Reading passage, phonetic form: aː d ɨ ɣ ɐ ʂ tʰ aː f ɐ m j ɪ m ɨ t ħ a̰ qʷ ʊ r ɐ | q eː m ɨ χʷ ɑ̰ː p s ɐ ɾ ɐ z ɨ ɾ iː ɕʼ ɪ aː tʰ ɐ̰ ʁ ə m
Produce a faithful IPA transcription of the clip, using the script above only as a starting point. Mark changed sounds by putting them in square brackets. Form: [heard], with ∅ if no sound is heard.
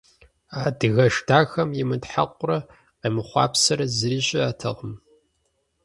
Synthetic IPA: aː d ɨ ɣ ɐ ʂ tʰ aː [x] ɐ m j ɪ m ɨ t ħ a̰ qʷ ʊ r ɐ | q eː m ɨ χʷ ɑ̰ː p s ɐ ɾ ɐ z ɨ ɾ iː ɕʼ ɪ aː tʰ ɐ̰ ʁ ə m

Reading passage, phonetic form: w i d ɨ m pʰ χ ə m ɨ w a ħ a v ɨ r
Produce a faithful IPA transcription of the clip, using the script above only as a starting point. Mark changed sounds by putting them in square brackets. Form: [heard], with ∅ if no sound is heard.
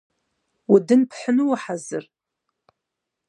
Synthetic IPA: w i d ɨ [n] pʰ [ħ] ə [n] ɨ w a ħ a [z] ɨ r

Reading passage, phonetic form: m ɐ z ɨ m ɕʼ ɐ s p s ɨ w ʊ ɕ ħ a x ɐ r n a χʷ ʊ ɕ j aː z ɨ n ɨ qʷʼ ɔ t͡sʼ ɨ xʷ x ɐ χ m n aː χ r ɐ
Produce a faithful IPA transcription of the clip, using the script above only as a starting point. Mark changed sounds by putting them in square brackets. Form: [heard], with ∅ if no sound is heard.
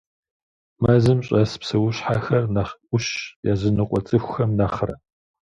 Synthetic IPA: m ɐ z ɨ m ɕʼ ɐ s p s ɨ w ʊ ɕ ħ a x ɐ r n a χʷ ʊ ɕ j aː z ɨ n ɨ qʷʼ ɔ t͡sʼ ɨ xʷ x ɐ [∅] m n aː χ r ɐ

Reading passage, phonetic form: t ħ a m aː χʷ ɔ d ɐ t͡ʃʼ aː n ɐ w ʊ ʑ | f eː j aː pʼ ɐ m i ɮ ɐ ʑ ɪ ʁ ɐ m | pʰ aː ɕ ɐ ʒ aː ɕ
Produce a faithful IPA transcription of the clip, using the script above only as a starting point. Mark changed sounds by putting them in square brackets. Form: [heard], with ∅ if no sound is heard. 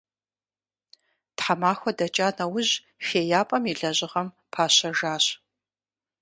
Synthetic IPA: t ħ a m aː [xʷ] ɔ d ɐ t͡ʃʼ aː n ɐ w ʊ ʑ | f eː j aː pʼ ɐ m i ɮ ɐ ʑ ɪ ʁ ɐ m | pʰ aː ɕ ɐ ʒ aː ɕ

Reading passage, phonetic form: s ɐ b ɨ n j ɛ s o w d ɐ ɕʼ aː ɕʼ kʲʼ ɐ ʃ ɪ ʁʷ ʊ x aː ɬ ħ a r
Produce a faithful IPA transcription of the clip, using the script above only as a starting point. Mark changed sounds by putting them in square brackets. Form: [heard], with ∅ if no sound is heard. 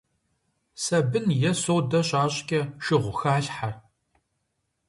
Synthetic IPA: s ɐ b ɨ n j ɛ s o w d ɐ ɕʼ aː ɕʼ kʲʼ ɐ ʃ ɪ ʁʷ ʊ x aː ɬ ħ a r

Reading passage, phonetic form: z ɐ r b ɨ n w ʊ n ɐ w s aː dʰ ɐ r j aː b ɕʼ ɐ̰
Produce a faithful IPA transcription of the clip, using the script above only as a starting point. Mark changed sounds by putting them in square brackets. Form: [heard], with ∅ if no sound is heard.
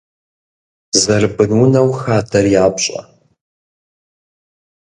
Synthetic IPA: z ɐ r b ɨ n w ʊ n ɐ w [x] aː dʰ ɐ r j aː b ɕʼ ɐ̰

